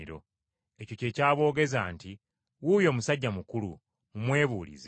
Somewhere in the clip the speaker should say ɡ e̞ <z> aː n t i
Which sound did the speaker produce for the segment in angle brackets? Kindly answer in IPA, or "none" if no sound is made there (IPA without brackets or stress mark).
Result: z